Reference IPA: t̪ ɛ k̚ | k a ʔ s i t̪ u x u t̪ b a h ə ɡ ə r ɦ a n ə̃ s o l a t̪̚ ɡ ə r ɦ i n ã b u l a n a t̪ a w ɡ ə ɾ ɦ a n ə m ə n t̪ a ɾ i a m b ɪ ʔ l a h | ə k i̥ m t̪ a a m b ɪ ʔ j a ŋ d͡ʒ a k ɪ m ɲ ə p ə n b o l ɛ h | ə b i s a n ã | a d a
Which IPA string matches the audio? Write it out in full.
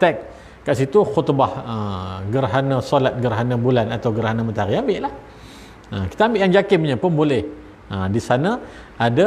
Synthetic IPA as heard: t̪ ɛ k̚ | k a ʔ s i t̪ u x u t̪ b a h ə ɡ ə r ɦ a n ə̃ s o l a t̪̚ ɡ ə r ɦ a n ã b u l a n a t̪ a w ɡ ə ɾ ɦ a n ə m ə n t̪ a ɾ i a m b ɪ ʔ l a h | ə k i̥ t̪ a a m b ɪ ʔ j a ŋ d͡ʒ a k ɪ m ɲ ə p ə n b o l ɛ h | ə d i s a n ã | a d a